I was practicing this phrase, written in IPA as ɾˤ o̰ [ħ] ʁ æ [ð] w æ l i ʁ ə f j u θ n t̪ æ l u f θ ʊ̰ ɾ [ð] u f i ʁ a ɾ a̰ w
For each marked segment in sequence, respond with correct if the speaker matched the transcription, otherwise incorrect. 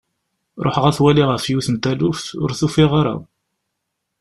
correct, incorrect: θ, incorrect: θ

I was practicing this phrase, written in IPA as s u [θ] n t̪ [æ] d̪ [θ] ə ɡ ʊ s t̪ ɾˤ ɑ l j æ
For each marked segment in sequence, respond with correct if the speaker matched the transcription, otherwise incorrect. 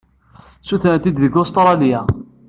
correct, incorrect: i, incorrect: ð

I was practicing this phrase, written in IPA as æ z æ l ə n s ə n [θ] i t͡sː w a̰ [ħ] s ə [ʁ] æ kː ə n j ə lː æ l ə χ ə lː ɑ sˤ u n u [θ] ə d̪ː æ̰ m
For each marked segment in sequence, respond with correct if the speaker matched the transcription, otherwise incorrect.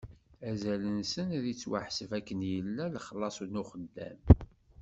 incorrect: ð, correct, incorrect: v, incorrect: χ

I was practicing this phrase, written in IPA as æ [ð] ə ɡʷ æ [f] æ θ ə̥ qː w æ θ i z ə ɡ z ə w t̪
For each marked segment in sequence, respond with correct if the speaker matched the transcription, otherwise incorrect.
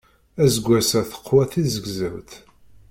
incorrect: z, incorrect: s

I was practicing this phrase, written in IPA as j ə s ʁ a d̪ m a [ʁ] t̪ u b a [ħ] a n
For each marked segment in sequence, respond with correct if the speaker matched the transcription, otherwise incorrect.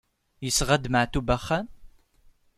incorrect: ʕ, incorrect: χ

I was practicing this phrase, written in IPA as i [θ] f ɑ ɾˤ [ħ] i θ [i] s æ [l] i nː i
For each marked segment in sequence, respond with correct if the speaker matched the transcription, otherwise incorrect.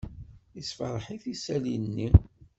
incorrect: s, correct, correct, correct

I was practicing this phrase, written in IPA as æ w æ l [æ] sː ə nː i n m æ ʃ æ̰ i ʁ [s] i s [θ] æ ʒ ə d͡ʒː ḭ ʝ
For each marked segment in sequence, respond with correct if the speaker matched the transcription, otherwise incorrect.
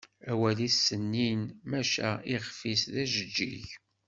incorrect: i, incorrect: f, incorrect: ð

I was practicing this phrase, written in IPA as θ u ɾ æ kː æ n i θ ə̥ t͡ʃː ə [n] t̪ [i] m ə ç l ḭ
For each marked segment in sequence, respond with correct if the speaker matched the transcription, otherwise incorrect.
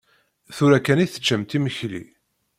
incorrect: m, correct

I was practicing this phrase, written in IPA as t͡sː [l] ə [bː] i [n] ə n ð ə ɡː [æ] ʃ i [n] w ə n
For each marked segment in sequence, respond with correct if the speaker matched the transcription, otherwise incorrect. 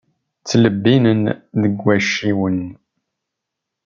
correct, correct, correct, correct, incorrect: none

